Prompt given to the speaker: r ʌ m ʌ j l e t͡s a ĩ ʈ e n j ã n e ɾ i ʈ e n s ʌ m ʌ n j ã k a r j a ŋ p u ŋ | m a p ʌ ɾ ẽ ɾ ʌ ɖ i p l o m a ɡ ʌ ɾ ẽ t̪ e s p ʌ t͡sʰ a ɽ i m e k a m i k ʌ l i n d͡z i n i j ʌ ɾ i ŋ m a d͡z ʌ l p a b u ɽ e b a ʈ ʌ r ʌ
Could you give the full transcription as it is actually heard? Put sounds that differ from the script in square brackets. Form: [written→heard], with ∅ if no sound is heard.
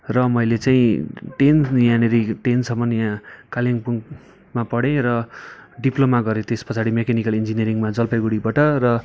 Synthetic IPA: r ʌ m ʌ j l e t͡s a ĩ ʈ e n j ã n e ɾ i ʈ e n s ʌ m ʌ n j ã k a [r→l] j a ŋ p u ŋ | m a p ʌ [ɾ→ɽ] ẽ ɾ ʌ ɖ i p l o m a ɡ ʌ ɾ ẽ t̪ e s p ʌ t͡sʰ a ɽ i m e k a [m→n] i k ʌ l i n d͡z i n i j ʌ ɾ i ŋ m a d͡z ʌ l p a [b→ɡ] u ɽ [e→i] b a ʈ ʌ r ʌ